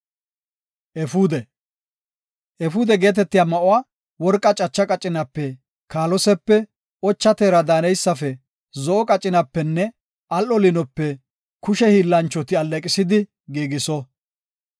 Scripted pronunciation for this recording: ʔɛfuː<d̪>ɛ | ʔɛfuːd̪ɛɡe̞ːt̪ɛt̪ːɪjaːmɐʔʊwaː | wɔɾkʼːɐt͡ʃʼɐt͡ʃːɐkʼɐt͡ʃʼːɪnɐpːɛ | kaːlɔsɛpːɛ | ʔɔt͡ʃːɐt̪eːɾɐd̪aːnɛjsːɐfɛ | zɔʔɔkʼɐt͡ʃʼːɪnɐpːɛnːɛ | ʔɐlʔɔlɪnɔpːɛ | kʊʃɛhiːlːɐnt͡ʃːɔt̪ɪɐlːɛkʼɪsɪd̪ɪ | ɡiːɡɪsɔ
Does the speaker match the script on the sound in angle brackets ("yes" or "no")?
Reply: yes